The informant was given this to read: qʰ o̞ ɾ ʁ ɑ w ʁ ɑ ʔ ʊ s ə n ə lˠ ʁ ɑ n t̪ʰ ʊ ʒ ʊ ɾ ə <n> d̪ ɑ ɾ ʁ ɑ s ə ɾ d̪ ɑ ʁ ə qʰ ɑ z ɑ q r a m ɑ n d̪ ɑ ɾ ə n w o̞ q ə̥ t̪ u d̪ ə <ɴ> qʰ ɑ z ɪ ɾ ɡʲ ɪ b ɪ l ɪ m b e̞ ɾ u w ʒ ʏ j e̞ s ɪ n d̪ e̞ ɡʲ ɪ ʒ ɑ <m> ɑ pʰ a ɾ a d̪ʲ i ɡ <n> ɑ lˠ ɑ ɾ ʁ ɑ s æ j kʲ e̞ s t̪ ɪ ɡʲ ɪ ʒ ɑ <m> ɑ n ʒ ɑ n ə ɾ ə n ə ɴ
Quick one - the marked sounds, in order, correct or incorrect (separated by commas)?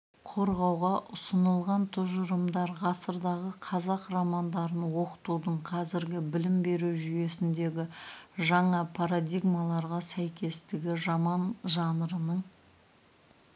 incorrect, correct, incorrect, incorrect, correct